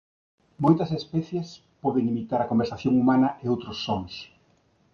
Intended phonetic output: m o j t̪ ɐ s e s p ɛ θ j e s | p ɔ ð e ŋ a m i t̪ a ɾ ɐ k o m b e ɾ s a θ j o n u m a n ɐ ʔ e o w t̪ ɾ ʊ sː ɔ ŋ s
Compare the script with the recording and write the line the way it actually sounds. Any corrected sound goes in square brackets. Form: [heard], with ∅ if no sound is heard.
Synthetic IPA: m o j t̪ ɐ s e s p ɛ θ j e s | p ɔ ð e ŋ [i] m i t̪ a ɾ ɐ k o m b e ɾ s a θ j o [ŋ] u m a n ɐ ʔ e o w t̪ ɾ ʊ sː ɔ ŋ s